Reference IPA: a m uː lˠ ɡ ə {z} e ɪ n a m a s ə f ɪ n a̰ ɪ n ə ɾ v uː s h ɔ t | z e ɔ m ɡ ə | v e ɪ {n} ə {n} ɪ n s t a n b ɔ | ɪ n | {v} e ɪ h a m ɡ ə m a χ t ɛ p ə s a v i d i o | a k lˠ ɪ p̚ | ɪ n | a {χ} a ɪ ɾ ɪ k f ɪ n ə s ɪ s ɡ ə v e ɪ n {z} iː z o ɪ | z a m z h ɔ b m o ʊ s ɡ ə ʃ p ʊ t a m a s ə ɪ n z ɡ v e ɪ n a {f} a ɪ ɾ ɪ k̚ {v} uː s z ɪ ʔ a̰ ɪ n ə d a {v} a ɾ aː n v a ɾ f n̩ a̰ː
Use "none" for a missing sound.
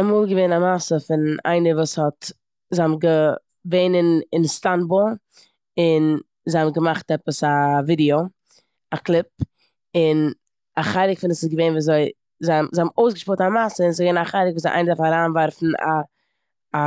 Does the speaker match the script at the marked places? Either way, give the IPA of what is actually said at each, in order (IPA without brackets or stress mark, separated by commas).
v, n, n, z, χ, v, χ, v, f